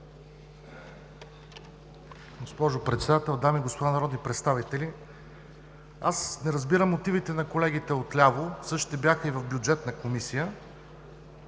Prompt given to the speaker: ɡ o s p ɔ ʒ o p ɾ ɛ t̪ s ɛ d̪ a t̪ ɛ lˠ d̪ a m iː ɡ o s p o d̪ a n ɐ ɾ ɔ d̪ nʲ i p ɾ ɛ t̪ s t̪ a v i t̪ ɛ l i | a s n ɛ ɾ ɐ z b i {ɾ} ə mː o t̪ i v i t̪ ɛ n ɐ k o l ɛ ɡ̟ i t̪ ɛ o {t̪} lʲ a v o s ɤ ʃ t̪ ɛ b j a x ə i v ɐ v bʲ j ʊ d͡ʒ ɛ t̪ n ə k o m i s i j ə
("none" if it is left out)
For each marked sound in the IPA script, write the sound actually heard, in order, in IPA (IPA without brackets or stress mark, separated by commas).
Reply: ɾ, t̪